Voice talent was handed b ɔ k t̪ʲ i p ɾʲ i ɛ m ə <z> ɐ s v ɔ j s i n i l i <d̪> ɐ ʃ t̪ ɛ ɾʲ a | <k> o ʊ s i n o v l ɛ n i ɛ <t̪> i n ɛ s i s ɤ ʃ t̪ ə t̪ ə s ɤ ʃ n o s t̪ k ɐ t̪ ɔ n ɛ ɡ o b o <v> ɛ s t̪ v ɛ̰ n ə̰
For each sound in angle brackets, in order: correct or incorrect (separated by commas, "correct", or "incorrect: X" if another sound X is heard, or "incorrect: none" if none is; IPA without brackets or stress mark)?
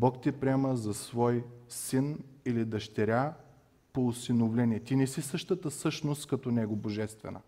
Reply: correct, correct, incorrect: p, correct, incorrect: ʒ